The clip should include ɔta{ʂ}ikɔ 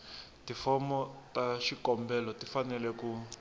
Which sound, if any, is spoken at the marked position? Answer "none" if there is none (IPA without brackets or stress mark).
ʃ